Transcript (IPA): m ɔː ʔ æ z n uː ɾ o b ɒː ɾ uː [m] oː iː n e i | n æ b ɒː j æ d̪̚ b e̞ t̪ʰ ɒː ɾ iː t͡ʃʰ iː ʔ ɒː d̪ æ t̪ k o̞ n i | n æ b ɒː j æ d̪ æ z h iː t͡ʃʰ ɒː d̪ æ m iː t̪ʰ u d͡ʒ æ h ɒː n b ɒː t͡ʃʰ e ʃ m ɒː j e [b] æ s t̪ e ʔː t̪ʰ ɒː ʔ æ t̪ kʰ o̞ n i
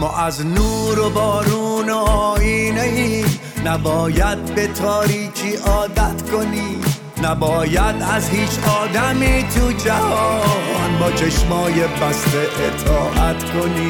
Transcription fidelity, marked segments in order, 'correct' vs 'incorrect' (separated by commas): incorrect, correct